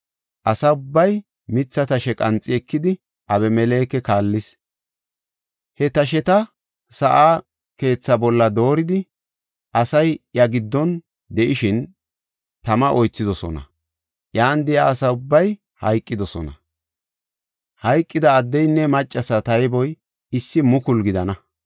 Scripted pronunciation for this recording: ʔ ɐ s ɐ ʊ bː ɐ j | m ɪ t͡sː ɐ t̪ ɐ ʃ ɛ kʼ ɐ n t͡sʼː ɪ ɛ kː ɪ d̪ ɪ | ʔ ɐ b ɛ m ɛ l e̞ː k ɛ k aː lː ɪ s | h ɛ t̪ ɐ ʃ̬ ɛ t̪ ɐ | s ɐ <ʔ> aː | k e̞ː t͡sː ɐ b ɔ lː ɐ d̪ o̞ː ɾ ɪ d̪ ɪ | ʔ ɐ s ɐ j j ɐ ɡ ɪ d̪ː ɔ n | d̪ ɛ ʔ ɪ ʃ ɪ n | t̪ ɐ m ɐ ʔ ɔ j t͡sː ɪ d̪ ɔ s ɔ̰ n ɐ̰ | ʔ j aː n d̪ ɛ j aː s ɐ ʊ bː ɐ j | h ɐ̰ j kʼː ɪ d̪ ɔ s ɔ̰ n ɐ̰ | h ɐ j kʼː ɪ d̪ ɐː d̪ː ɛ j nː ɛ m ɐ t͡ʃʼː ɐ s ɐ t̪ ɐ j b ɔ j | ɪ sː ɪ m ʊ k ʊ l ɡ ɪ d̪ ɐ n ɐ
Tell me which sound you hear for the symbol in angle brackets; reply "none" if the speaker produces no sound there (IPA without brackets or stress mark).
ʔ